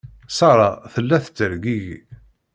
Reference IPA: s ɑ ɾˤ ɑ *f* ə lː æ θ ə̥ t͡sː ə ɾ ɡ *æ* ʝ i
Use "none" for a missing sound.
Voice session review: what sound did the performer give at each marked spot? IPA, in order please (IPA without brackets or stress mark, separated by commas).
θ, i